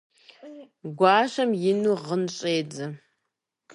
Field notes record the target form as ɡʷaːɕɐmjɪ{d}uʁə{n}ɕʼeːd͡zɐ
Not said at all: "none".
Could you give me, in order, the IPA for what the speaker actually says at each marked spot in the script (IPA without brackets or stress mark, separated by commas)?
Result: n, n